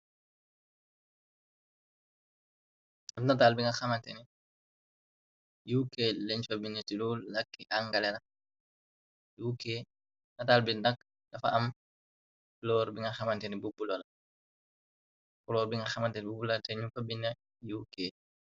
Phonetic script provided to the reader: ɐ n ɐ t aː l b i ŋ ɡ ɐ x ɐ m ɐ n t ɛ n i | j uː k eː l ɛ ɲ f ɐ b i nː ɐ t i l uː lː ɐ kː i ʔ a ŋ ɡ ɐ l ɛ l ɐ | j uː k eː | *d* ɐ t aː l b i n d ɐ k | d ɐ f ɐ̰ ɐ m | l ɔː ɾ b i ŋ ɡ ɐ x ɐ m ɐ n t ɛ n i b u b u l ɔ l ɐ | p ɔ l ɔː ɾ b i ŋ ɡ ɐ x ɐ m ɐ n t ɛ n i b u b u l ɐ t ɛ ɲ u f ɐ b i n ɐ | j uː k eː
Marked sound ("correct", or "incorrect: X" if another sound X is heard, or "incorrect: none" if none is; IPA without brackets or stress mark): incorrect: n